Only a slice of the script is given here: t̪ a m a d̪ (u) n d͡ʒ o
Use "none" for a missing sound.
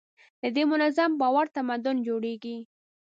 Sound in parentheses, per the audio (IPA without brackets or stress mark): ʊ